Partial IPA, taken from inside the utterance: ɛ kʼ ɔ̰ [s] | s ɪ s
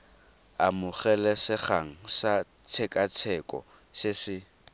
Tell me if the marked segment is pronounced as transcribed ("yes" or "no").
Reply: no